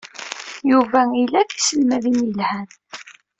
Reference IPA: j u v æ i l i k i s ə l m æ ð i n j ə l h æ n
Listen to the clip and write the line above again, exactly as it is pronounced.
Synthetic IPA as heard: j u v æ i l æ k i s ə l m æ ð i n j ə l h æ n